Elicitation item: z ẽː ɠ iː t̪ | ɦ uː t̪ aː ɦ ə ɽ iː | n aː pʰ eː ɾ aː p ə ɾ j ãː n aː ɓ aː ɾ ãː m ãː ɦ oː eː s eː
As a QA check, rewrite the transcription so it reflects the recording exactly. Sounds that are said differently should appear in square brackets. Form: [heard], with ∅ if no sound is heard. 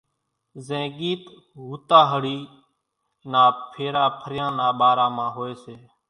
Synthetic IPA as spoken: z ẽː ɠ iː t̪ | ɦ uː t̪ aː ɦ ə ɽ iː | n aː pʰ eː ɾ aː [pʰ] ə ɾ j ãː n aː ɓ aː ɾ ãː m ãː ɦ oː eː s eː